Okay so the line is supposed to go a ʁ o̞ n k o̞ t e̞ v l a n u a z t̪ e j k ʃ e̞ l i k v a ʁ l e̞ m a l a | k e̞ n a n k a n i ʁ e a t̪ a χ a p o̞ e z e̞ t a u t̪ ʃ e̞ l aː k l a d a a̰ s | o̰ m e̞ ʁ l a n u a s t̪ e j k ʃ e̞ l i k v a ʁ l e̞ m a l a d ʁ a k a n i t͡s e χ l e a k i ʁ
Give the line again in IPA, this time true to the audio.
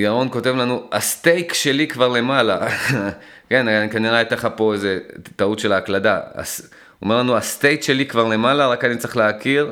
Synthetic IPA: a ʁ o̞ n k o̞ t e̞ v l a n u a s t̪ e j k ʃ e̞ l i k v a ʁ l e̞ m a l a | k e̞ n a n k a n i ʁ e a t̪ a χ a p o̞ e z e̞ t a u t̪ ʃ e̞ l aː k l a d a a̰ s | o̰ m e̞ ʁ l a n u a s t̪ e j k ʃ e̞ l i k v a ʁ l e̞ m a l a ʁ a k a n i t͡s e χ l e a k i ʁ